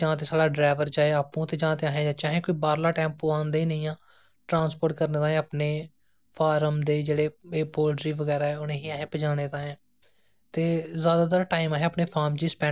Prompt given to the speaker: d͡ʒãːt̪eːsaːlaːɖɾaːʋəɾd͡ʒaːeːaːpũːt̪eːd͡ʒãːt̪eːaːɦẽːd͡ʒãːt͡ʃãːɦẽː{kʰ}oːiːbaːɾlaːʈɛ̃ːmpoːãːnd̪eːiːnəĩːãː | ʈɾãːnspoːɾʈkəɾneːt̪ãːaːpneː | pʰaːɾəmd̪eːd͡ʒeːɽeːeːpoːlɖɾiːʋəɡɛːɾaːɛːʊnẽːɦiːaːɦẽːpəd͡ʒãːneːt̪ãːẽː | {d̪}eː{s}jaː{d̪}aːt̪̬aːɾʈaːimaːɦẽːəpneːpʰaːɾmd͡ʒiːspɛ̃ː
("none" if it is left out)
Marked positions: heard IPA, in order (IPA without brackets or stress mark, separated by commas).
k, t̪, z, d̪